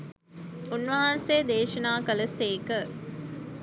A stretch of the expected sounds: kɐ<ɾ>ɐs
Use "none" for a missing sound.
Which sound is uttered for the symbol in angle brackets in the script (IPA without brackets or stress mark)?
l